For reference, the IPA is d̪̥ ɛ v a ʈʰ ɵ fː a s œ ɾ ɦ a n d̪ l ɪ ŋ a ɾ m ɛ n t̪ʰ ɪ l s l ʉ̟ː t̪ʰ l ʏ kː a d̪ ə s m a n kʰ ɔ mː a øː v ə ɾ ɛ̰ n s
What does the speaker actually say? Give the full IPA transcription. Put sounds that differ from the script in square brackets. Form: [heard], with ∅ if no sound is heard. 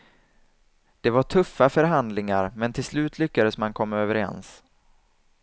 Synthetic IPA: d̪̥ ɛ v a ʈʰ ɵ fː a [f] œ ɾ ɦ a n d̪ l ɪ ŋ a ɾ m ɛ n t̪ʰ ɪ l s l ʉ̟ː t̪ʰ l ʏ kː a d̪ ə s m a n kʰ ɔ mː a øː v ə ɾ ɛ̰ n s